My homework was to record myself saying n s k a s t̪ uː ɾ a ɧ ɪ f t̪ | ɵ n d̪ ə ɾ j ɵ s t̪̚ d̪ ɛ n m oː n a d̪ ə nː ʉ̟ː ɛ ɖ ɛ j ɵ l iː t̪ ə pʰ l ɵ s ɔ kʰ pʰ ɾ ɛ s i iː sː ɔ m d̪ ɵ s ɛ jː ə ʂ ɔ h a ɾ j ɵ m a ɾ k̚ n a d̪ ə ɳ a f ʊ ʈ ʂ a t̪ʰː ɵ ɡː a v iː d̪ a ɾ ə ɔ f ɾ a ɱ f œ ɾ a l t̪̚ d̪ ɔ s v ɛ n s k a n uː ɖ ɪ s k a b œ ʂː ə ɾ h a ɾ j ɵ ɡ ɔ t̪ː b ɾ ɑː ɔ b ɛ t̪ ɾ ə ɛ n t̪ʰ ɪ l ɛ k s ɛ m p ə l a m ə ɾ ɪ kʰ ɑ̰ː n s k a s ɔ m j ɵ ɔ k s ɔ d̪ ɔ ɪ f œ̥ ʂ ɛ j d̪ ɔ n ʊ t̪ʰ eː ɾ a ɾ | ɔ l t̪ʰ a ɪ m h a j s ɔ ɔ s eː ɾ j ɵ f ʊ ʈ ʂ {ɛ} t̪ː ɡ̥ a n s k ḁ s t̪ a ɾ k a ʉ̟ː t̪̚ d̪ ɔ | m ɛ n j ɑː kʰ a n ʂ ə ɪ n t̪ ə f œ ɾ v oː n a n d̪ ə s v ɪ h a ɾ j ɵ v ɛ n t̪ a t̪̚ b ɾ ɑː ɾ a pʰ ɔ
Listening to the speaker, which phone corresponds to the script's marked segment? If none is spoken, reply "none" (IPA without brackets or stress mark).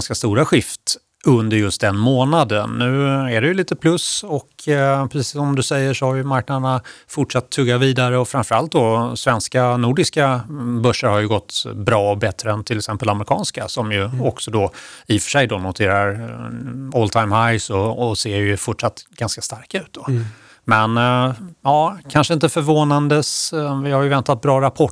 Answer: a